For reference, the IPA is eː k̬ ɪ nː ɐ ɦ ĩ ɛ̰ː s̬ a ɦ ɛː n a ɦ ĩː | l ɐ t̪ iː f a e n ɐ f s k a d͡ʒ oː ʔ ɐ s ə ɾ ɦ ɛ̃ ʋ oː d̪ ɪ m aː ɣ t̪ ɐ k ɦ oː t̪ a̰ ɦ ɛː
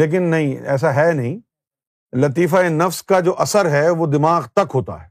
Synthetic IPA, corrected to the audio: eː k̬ ɪ nː ɐ ɦ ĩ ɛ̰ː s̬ a ɦ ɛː n ɐ ɦ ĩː | l ɐ t̪ iː f a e n ɐ f s k a d͡ʒ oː ʔ ɐ s ə ɾ ɦ ɛ ʋ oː d̪ ɪ m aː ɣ t̪ ɐ k ɦ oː t̪ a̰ ɦ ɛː